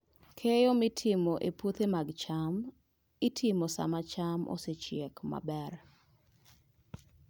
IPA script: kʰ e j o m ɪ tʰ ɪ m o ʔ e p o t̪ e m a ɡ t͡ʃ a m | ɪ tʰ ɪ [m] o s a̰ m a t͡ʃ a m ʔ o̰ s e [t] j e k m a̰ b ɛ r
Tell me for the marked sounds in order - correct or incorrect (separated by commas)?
correct, incorrect